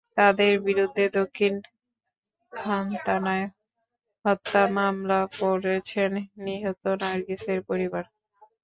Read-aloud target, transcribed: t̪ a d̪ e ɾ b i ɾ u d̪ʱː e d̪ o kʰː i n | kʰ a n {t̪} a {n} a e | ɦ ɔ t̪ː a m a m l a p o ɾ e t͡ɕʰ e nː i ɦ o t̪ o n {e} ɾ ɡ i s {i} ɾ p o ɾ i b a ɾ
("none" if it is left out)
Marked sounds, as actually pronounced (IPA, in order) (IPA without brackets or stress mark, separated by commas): t̪, n, a, e